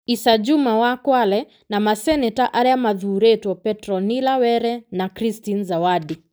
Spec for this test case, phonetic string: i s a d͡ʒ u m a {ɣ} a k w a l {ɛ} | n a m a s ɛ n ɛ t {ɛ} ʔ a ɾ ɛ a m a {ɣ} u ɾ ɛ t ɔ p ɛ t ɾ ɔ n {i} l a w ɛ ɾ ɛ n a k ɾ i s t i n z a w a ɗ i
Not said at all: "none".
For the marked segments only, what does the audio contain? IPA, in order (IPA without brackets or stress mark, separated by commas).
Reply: w, ɛ, a, ð, i